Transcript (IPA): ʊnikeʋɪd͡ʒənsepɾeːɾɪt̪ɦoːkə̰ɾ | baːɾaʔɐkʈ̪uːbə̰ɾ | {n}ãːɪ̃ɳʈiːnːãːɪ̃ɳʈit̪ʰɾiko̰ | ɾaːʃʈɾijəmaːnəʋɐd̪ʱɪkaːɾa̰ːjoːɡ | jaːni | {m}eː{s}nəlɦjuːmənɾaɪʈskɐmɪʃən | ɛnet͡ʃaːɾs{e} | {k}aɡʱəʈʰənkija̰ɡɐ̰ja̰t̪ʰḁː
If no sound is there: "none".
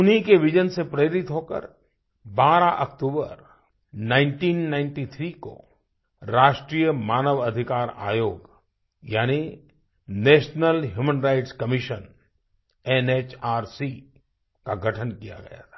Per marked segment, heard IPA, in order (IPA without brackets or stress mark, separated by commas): n, n, ʃ, i, k